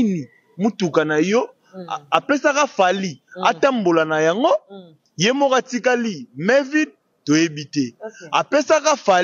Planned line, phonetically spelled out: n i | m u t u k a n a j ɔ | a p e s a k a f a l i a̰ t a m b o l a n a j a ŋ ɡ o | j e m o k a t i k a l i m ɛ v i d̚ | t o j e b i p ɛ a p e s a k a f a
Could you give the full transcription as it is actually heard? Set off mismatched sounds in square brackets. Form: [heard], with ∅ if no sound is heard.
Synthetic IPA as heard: n i | m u t u k a n a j ɔ | a p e s a k a f a l i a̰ t a m b o l a n a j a ŋ ɡ o | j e m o k a t i k a l i m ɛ v i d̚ | t o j e b i [t] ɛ a p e s a k a f a

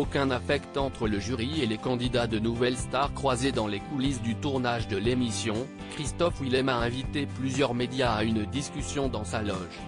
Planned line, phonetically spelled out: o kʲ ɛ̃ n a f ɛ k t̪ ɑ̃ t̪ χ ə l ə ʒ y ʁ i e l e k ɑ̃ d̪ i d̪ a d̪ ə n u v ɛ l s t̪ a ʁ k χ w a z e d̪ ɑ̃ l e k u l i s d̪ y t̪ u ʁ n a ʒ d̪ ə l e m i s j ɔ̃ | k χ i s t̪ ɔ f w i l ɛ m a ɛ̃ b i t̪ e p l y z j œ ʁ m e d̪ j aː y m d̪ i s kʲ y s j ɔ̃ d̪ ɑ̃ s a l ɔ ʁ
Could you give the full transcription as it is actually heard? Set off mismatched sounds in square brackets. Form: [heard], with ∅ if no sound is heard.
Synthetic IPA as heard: o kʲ ɛ̃ n a f ɛ k t̪ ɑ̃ t̪ χ ə l ə ʒ y ʁ i e l e k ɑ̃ d̪ i d̪ a d̪ ə n u v ɛ l s t̪ a ʁ k χ w a z e d̪ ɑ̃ l e k u l i s d̪ y t̪ u ʁ n a ʒ d̪ ə l e m i s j ɔ̃ | k χ i s t̪ ɔ f w i l ɛ m a ɛ̃ [v] i t̪ e p l y z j œ ʁ m e d̪ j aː y [n] d̪ i s kʲ y s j ɔ̃ d̪ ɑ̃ s a l ɔ [ʒ]

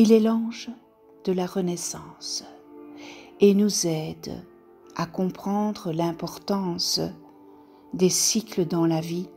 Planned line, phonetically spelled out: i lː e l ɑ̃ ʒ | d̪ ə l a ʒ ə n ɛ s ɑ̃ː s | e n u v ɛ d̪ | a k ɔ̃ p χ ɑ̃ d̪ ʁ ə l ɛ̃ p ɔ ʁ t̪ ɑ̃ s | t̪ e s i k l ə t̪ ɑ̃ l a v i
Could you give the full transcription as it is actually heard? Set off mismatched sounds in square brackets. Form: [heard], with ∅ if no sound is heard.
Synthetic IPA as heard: i [l] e l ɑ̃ ʒ | d̪ ə l a [ʁ] ə n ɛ s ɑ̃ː s | e n u [z] ɛ d̪ | a k ɔ̃ p χ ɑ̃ d̪ ʁ ə l ɛ̃ p ɔ ʁ t̪ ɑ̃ s | [d̪] e s i k l ə [d̪] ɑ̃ l a v i

